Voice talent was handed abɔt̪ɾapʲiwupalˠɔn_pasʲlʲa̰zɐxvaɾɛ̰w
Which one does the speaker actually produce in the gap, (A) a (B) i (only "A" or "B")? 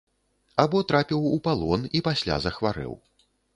B